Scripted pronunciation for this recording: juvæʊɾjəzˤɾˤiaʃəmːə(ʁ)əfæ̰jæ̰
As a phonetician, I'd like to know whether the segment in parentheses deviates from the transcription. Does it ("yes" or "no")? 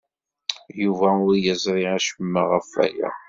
no